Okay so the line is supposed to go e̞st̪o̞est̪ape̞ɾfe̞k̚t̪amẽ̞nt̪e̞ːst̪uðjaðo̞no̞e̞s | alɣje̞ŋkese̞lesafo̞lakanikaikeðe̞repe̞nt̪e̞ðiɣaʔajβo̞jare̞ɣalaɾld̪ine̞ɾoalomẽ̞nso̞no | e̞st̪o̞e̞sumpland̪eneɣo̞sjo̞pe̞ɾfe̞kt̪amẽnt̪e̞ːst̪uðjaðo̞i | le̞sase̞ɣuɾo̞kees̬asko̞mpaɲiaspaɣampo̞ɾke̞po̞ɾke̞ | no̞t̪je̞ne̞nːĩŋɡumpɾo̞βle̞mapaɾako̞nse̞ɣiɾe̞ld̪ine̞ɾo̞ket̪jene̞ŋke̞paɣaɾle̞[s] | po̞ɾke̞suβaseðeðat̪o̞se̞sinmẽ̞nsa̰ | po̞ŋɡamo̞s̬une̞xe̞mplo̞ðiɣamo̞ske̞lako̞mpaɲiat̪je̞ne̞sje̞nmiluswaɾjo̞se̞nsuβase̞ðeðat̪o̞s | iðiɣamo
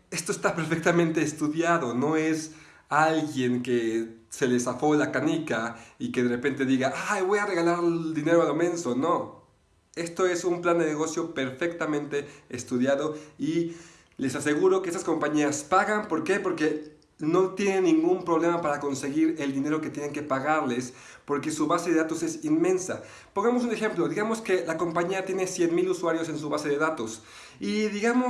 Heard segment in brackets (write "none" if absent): s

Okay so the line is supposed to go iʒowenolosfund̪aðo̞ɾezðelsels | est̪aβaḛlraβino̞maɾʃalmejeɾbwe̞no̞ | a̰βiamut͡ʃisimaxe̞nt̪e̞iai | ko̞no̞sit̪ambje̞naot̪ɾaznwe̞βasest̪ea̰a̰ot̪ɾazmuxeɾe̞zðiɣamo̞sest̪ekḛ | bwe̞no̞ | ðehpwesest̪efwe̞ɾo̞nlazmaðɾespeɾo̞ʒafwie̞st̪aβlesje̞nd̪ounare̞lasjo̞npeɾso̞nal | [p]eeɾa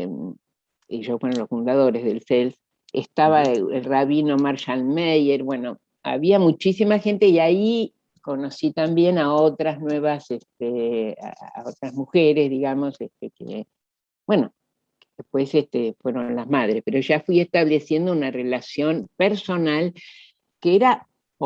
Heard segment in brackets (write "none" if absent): k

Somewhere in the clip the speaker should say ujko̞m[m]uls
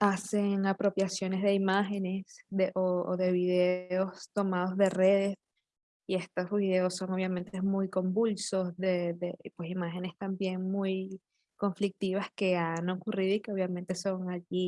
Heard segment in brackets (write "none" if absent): b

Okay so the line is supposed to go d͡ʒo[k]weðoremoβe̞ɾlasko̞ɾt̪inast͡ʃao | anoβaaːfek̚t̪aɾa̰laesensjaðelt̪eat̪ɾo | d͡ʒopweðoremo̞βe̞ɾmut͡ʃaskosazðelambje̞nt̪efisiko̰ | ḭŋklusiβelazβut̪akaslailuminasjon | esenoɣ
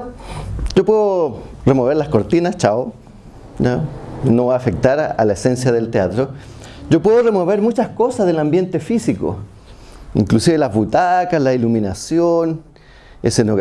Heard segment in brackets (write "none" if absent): p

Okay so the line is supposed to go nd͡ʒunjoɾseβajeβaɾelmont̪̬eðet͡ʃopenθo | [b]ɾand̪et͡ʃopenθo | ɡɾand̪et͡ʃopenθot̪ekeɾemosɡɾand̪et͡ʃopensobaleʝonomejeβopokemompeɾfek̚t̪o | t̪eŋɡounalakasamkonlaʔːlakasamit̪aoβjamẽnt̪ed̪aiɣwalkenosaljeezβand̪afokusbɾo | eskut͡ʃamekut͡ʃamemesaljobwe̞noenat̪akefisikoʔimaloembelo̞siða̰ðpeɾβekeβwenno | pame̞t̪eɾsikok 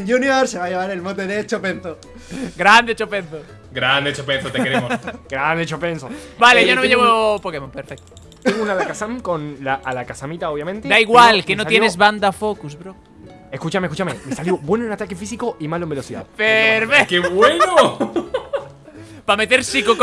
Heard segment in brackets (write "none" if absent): ɡ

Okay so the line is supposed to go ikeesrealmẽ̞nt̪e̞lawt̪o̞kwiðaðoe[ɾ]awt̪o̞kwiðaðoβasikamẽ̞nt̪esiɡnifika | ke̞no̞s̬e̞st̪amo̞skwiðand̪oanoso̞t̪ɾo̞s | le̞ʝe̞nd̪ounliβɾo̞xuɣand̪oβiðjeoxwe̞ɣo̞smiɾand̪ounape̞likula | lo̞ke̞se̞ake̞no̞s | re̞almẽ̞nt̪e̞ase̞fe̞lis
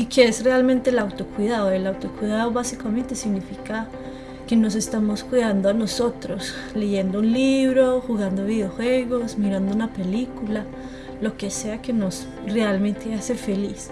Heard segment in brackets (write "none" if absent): l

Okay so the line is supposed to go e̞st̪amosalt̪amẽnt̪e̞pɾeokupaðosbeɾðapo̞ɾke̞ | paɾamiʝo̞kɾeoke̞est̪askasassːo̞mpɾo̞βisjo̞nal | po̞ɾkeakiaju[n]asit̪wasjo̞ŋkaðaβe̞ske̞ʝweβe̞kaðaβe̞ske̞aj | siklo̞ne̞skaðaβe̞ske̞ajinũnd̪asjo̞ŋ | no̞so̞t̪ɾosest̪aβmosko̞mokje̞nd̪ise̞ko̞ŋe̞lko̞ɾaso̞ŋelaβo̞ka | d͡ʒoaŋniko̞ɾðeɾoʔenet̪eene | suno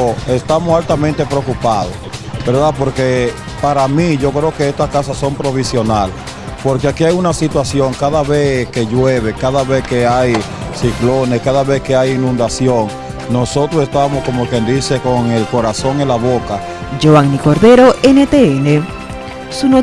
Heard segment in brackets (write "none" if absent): n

